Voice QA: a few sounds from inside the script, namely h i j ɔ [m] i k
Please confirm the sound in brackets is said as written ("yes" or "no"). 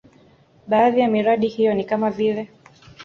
no